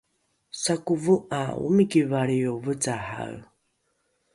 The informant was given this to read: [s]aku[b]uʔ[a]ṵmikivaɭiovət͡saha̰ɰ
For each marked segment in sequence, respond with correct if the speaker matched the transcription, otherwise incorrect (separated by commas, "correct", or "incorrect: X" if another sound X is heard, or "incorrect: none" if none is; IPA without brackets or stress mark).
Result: correct, incorrect: v, correct